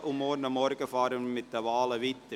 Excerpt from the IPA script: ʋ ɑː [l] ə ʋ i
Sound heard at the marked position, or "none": l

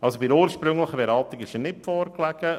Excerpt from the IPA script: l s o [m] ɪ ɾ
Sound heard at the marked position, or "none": b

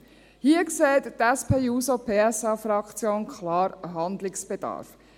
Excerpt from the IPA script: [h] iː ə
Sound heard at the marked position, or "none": h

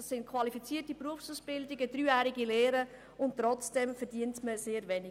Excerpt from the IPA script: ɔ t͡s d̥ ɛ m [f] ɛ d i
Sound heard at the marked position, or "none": f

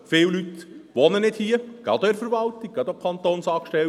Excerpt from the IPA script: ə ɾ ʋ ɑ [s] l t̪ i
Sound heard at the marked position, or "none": none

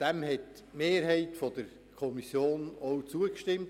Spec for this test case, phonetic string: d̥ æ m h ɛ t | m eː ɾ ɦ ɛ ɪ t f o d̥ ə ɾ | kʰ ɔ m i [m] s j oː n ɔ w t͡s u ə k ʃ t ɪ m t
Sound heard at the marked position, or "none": none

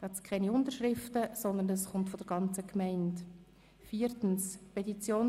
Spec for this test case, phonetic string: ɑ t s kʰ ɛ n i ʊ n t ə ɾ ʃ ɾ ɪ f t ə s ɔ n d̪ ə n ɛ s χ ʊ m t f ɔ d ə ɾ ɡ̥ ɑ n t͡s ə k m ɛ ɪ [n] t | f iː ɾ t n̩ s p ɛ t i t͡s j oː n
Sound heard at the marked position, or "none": n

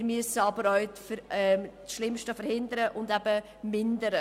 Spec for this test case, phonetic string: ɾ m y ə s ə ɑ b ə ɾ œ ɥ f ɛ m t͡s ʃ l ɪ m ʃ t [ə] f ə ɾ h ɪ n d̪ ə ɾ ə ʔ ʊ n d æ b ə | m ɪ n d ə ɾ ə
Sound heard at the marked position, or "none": ə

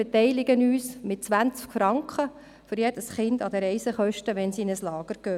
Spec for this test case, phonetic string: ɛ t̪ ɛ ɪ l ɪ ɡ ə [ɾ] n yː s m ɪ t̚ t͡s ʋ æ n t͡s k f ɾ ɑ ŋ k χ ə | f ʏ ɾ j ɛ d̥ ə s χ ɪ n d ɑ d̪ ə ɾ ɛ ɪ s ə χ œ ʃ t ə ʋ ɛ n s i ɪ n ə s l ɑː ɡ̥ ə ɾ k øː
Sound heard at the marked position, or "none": none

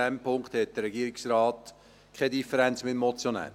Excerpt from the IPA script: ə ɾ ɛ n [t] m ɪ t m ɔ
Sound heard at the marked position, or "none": t͡s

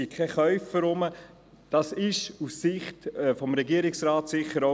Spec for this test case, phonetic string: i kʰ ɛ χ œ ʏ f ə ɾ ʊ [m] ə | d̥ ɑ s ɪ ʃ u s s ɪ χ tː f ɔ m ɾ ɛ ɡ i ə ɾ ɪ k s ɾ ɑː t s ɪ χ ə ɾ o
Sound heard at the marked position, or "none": m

